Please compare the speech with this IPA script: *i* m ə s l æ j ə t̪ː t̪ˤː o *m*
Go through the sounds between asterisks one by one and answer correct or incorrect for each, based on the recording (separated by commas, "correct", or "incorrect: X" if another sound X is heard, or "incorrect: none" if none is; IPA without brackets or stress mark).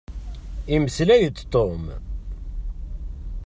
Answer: correct, correct